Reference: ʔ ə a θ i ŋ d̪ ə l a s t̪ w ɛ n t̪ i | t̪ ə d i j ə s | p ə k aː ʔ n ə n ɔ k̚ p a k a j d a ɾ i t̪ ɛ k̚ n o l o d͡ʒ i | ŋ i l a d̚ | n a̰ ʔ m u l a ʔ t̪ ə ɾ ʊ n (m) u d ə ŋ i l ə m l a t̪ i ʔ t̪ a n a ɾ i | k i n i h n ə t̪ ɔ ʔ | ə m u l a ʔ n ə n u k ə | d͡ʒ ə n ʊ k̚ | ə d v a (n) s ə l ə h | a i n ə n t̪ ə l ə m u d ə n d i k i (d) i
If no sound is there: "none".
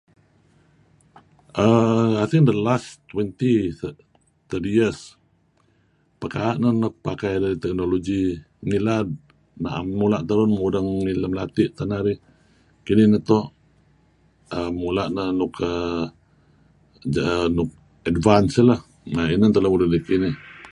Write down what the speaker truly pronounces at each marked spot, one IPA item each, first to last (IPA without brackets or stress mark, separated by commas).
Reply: m, n, n